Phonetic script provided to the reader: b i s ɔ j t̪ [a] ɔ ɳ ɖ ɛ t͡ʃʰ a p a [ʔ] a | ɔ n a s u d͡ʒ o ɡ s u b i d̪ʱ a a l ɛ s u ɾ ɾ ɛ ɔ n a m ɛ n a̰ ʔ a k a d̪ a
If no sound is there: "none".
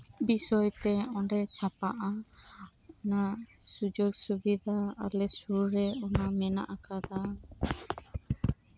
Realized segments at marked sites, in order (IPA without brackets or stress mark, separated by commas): ɛ, ʔ